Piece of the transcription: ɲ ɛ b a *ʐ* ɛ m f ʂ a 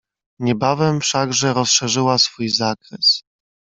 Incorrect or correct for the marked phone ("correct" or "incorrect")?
incorrect